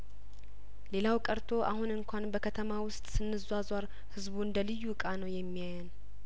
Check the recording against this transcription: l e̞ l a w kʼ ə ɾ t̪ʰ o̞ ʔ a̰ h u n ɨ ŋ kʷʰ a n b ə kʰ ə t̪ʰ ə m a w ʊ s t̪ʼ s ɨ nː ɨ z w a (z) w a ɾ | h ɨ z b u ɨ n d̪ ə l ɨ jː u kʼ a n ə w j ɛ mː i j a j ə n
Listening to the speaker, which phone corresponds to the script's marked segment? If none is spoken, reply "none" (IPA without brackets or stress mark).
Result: z